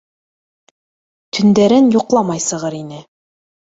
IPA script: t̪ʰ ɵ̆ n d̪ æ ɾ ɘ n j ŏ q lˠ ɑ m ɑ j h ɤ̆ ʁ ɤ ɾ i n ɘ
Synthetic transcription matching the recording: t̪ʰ ɵ̆ n d̪ æ ɾ ɘ n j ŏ q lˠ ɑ m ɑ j s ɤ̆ ʁ ɤ ɾ i n ɘ